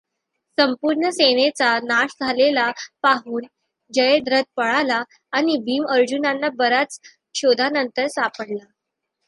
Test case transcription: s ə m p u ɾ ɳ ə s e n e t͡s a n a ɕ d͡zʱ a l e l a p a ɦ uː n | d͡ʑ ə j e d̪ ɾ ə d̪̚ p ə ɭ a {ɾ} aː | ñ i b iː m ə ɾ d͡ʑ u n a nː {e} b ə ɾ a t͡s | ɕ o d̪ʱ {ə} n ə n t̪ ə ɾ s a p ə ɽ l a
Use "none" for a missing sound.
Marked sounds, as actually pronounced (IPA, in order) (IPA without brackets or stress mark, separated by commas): l, a, a